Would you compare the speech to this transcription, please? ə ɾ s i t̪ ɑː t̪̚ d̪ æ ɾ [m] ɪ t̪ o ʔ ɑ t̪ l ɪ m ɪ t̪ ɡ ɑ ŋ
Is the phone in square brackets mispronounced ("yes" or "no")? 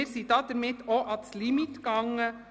no